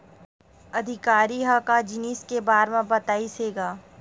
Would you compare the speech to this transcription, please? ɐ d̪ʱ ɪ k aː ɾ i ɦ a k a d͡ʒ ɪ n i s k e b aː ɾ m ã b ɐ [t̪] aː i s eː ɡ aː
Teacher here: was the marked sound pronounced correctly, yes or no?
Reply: yes